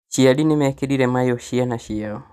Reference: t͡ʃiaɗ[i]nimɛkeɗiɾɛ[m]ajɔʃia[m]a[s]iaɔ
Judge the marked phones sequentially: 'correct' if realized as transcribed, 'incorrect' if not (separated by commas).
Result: correct, correct, incorrect, incorrect